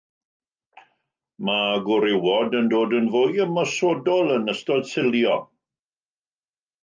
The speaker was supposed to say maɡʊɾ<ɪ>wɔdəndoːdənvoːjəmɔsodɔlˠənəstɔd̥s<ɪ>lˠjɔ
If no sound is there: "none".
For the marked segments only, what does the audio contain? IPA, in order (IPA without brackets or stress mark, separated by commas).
ɪ, ɪ